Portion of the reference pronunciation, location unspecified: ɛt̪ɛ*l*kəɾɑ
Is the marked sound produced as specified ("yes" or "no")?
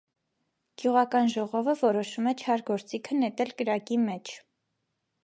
yes